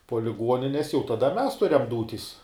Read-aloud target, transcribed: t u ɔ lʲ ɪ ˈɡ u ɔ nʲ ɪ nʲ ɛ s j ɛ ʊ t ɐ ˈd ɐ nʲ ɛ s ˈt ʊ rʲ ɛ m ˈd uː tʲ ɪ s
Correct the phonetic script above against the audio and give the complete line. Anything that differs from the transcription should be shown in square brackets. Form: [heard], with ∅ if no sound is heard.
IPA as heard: [p] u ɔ lʲ ɪ ˈɡ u ɔ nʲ ɪ nʲ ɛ s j ɛ ʊ t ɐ ˈd ɐ [mʲ] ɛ s ˈt ʊ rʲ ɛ m ˈd uː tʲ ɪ s

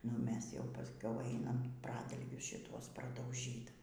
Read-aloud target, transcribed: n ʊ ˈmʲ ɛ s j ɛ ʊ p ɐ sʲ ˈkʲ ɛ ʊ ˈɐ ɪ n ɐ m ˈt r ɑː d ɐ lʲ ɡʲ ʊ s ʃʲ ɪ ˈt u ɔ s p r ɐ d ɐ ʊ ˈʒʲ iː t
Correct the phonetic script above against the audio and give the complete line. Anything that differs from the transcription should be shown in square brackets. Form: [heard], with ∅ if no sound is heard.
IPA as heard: n ʊ ˈmʲ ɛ s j ɛ ʊ p ɐ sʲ ˈkʲ ɛ ʊ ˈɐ ɪ n ɐ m [ˈp] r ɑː d ɐ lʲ ɡʲ ʊ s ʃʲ ɪ ˈt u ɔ s p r ɐ d ɐ ʊ ˈʒʲ iː t

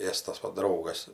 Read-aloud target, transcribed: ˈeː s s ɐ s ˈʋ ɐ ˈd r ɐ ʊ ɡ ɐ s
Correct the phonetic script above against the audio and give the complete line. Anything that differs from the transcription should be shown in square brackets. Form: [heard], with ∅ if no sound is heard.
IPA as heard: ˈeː s [t] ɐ s ˈʋ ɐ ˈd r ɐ ʊ ɡ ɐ s

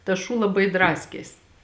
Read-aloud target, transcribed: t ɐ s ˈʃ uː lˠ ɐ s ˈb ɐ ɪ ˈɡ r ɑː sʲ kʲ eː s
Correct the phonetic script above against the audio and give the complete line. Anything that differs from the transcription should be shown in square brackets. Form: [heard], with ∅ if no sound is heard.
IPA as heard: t ɐ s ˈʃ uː lˠ ɐ [∅] ˈb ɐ ɪ [ˈd] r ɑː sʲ kʲ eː s

